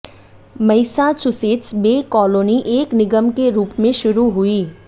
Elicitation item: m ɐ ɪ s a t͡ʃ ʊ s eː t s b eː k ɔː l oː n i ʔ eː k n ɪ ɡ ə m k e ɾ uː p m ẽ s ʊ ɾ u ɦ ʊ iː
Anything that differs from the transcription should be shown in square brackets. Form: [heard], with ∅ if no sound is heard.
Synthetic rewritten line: m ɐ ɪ s a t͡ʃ ʊ s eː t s b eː k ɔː l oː n i ʔ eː k n ɪ ɡ ə m k e ɾ uː p m ẽ [ʃ] ʊ ɾ u ɦ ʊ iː